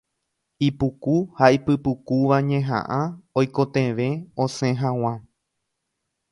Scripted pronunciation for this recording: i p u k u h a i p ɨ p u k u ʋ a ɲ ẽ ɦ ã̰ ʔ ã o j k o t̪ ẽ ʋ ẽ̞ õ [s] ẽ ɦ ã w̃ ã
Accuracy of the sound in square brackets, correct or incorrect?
correct